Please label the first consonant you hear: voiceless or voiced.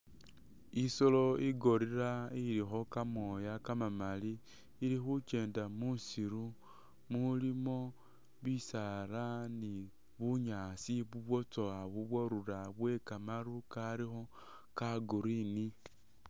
voiceless